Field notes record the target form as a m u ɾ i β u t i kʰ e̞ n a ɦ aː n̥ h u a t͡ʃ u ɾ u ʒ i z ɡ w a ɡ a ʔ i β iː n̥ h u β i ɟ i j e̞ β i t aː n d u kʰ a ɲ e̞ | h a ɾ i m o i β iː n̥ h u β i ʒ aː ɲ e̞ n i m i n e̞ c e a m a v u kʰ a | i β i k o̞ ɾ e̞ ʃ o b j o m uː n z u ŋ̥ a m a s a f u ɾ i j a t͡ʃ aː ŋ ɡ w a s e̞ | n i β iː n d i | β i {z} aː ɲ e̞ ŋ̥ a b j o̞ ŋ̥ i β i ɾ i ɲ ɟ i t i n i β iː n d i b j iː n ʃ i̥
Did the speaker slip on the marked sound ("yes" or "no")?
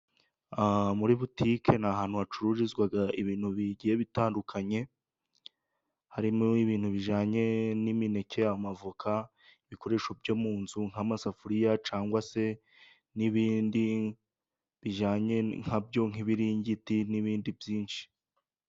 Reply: yes